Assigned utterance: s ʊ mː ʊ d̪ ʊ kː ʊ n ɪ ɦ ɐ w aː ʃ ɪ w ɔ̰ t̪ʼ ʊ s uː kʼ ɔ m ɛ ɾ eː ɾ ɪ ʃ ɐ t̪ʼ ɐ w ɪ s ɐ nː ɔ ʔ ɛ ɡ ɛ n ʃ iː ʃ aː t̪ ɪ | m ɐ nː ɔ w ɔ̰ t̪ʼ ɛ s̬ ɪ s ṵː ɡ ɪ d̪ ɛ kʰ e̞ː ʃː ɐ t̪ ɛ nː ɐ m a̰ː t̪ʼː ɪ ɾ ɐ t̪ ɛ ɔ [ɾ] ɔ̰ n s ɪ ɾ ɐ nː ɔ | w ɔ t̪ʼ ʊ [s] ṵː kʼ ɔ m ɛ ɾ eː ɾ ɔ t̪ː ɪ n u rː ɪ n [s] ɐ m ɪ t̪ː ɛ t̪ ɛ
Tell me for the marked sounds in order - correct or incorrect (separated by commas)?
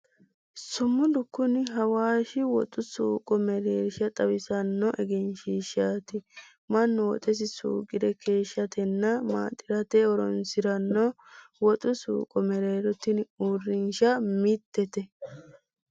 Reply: correct, correct, incorrect